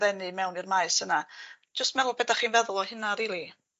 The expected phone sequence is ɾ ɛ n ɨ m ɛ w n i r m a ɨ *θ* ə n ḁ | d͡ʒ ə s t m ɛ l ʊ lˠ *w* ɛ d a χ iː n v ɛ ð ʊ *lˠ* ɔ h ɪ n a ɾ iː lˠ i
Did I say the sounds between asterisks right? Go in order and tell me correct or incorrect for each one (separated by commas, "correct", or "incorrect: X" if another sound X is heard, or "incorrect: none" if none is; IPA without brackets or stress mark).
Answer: incorrect: s, incorrect: b, correct